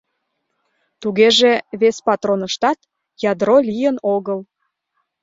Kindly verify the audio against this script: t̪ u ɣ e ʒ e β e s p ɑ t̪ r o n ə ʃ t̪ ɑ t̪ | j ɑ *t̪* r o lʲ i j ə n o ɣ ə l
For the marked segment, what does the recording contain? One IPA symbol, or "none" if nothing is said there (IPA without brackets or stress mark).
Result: d̪